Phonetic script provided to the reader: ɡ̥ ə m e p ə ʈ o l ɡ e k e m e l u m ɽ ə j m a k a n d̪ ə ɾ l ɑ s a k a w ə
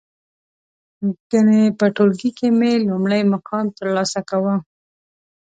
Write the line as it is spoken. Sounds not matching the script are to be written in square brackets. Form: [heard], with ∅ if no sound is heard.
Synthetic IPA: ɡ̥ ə [n] e p ə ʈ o l ɡ [i] k e m e l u m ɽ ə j m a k [ɑ] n [t̪] ə ɾ l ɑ s a k a w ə